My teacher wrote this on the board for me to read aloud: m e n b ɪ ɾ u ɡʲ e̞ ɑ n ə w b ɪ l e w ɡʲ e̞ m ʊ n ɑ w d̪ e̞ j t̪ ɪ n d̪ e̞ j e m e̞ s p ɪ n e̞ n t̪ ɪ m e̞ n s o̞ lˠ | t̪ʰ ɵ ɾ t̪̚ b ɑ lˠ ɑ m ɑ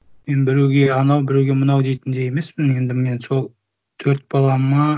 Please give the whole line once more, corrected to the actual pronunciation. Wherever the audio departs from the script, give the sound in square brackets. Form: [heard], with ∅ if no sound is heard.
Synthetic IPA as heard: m e n b ɪ ɾ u ɡʲ e̞ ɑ n [ɑ] w b ɪ [ɾ] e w ɡʲ e̞ m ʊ n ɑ w d̪ e̞ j t̪ ɪ n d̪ e̞ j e m e̞ s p ɪ n e̞ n [d̪] ɪ m e̞ n s o̞ lˠ | t̪ʰ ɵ ɾ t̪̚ b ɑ lˠ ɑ m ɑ